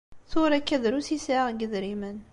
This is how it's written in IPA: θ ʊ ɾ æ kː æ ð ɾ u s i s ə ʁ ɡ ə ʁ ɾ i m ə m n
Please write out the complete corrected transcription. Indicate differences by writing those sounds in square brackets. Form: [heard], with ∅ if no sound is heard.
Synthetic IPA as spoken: θ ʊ ɾ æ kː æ ð ɾ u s i s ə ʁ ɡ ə [ð] ɾ i m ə [∅] n